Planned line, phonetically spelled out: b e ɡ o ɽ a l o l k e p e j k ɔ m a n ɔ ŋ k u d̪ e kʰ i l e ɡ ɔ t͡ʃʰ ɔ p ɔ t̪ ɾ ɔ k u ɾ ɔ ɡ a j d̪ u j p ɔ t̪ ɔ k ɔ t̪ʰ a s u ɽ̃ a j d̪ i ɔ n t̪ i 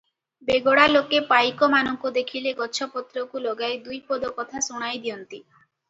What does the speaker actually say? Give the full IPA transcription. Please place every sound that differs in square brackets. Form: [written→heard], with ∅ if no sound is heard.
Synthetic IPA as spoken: b e ɡ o ɽ a l o [l→∅] k e p [e→a] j k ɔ m a n ɔ ŋ k u d̪ e kʰ i l e ɡ ɔ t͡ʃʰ ɔ p ɔ t̪ ɾ ɔ k u [ɾ→l] ɔ ɡ a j d̪ u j p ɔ [t̪→d̪] ɔ k ɔ t̪ʰ a s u ɽ̃ a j d̪ i ɔ n t̪ i